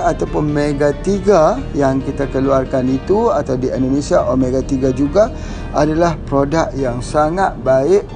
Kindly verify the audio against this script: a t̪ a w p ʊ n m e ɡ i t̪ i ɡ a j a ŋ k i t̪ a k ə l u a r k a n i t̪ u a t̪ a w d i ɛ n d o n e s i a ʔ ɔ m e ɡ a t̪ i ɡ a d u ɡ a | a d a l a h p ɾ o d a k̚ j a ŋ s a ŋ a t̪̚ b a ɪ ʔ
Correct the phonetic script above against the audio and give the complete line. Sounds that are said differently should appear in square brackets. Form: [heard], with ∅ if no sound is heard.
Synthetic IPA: a t̪ a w p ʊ n m e ɡ [a] t̪ i ɡ a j a ŋ k i t̪ a k ə l u a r k a n i t̪ u a t̪ a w d i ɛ n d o n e s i a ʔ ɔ m e ɡ a t̪ i ɡ a [d͡ʒ] u ɡ a | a d a l a h p ɾ o d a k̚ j a ŋ s a ŋ a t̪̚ b a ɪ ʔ